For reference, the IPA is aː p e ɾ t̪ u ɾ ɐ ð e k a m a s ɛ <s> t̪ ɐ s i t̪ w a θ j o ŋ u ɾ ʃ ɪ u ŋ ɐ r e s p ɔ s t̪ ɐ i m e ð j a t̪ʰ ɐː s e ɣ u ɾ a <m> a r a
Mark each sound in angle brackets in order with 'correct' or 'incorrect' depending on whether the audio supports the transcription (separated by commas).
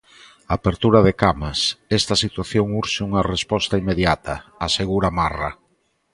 correct, correct